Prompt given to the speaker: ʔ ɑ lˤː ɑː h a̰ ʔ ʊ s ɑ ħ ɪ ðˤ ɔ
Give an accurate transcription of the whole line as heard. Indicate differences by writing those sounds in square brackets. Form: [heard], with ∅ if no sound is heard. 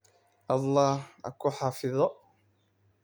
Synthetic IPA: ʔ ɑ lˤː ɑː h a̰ [k] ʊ [ħ] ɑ [f] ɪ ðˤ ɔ